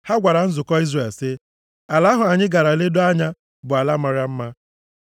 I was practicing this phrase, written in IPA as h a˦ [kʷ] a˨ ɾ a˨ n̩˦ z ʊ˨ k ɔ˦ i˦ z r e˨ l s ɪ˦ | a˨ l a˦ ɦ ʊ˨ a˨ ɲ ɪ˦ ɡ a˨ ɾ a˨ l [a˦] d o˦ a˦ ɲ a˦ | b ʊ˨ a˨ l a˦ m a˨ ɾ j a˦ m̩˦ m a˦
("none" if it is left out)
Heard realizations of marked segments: ɡʷ, e˦

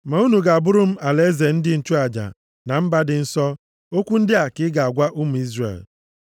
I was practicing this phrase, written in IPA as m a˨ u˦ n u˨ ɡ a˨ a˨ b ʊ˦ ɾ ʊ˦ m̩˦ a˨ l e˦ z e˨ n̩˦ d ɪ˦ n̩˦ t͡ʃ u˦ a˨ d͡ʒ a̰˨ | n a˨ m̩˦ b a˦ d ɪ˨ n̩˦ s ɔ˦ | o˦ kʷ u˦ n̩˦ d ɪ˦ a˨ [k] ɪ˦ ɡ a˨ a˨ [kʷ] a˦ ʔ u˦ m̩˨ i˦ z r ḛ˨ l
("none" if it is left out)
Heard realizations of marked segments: k, ɡʷ

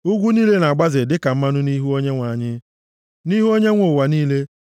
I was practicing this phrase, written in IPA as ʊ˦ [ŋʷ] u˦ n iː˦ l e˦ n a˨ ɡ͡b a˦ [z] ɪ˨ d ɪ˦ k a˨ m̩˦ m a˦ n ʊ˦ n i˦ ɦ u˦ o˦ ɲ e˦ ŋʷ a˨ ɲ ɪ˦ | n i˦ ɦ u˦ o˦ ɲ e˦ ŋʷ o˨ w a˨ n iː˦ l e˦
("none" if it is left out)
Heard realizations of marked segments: ɡʷ, z

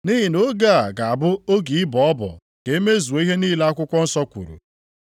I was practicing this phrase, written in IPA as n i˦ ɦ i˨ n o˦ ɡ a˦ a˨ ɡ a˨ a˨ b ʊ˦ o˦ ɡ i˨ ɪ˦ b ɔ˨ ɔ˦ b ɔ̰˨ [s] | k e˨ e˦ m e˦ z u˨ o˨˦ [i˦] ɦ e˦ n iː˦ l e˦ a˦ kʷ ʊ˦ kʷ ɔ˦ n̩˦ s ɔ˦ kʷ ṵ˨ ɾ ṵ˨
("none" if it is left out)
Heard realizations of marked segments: none, i˦

